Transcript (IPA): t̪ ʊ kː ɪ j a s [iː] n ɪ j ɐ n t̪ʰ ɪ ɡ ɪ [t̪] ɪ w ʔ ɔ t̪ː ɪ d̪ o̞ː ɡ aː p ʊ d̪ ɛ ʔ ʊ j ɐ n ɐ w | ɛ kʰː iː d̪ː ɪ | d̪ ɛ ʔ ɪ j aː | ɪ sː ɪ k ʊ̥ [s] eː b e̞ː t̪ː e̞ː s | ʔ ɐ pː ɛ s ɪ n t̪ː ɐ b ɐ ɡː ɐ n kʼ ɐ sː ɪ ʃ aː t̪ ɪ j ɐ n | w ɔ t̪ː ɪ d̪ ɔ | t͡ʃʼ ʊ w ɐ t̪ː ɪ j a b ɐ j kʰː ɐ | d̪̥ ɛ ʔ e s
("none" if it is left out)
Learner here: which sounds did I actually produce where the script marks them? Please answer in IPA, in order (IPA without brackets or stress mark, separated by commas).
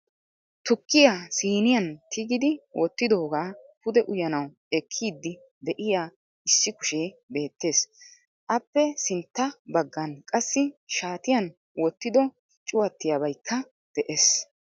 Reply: iː, d̪, ʃ